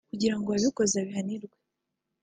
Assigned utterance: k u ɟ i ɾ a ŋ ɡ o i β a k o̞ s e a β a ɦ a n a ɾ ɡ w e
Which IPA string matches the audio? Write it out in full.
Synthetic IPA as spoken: k u ɟ i ɾ a ŋ ɡ o a β i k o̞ z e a β i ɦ a n i ɾ ɡ w e

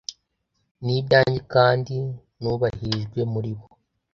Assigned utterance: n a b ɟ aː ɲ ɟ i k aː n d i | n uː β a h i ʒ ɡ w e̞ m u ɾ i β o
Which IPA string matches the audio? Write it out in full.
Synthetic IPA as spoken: n i b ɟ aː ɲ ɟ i k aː n d i | n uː β a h i ʒ ɡ w e̞ m u ɾ i β o

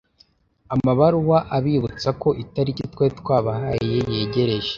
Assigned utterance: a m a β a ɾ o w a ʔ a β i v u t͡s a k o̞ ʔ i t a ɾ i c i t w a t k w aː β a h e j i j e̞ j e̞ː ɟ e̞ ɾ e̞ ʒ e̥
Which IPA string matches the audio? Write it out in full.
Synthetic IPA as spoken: a m a β a ɾ u w a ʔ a β i β u t͡s a k o̞ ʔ i t a ɾ i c i t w e t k w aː β a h a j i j e̞ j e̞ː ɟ e̞ ɾ e̞ ʒ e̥

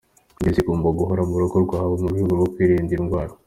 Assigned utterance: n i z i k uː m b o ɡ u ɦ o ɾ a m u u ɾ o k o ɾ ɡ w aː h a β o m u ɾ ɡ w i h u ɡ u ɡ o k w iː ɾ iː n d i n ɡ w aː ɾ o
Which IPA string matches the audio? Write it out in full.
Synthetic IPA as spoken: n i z i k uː m b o ɡ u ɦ o ɾ a m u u ɾ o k o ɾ ɡ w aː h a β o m u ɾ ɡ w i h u ɡ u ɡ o k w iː ɾ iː n d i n ɡ w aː ɾ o

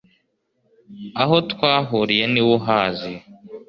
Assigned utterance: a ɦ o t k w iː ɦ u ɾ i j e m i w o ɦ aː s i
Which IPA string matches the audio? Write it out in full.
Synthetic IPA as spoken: a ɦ o t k w aː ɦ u ɾ i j e n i w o ɦ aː z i

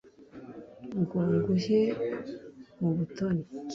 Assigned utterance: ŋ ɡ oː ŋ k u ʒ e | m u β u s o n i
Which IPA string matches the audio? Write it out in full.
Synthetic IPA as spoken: ŋ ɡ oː ŋ ɡ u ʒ e | m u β u t o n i

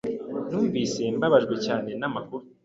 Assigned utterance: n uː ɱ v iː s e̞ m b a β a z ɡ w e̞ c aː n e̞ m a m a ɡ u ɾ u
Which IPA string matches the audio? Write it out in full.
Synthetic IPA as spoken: n uː ɱ v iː s e̞ m b a β a ʒ ɡ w e̞ c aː n e̞ n a m a k u ɾ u

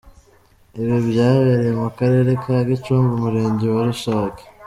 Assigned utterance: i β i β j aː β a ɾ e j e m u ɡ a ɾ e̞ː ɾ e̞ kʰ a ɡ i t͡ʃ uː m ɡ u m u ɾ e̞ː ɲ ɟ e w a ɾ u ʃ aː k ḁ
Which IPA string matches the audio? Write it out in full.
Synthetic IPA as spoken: i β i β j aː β e ɾ e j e m u k a ɾ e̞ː ɾ e̞ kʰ a ɡ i t͡ʃ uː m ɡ u m u ɾ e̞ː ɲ ɟ e w a ɾ u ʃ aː k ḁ

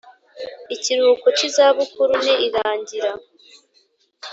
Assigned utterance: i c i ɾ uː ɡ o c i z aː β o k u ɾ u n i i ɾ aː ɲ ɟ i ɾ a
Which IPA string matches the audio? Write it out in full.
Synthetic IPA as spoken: i c i ɾ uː k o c i z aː β u k u ɾ u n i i ɾ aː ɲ ɟ i ɾ a

